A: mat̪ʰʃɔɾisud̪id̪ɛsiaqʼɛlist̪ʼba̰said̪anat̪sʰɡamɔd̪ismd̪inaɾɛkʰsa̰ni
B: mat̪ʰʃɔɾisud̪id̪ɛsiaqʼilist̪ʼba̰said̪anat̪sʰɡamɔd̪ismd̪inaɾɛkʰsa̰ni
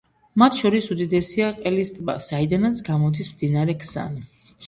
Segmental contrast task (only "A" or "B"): A